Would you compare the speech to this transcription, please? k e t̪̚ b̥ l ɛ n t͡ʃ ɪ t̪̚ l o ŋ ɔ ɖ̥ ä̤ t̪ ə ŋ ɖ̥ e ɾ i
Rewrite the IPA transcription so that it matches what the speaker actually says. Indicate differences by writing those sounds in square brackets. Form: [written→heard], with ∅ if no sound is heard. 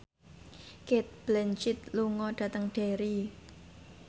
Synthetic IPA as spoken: k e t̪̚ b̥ l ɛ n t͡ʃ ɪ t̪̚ l [o→u] ŋ ɔ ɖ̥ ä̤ t̪ ə ŋ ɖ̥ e ɾ i